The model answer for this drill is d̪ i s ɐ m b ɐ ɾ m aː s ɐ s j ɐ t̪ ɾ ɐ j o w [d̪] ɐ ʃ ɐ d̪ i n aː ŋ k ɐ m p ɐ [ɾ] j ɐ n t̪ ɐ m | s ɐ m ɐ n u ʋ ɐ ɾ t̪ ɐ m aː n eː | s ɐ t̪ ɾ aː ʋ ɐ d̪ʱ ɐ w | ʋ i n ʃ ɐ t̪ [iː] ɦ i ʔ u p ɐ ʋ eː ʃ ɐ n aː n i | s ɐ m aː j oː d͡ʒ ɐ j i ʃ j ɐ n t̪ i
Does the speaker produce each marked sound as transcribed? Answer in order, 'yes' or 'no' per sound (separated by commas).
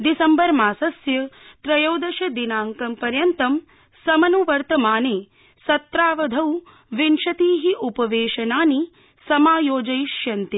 yes, yes, yes